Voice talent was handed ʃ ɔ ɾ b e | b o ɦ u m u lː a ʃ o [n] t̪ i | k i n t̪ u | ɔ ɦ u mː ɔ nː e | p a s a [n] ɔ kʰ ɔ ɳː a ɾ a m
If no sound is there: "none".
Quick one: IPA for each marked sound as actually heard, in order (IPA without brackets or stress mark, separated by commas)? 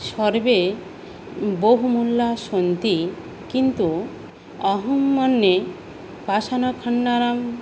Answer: n, n